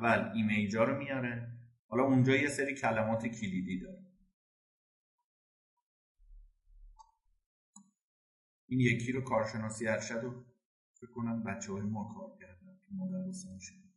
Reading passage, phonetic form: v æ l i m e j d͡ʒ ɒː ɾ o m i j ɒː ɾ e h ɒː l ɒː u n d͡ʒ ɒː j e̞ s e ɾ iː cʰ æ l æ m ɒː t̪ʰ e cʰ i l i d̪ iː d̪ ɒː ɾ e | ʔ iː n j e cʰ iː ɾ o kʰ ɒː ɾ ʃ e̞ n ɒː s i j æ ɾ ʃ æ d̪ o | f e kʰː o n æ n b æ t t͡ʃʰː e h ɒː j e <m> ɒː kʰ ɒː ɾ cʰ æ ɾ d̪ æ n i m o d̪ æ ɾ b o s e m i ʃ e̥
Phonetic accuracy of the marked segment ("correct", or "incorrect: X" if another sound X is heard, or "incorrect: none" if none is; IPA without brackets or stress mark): correct